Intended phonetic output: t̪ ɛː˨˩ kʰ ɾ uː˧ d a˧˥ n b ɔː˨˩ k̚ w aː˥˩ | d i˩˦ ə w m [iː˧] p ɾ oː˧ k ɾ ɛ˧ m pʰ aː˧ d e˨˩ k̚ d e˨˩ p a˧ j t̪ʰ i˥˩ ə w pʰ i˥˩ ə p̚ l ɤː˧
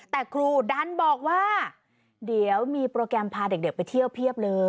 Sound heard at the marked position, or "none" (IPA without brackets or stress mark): iː˧